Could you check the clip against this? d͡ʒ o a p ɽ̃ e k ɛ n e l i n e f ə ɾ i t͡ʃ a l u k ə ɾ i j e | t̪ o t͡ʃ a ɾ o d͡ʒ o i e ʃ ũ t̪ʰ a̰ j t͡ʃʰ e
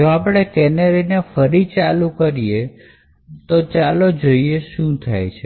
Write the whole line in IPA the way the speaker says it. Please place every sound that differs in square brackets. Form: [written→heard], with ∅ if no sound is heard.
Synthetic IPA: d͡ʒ o a p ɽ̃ e k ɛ n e [l→ɾ] i n e f ə ɾ i t͡ʃ a l u k ə ɾ i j e | t̪ o t͡ʃ a [ɾ→l] o d͡ʒ o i e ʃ ũ t̪ʰ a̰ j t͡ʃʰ e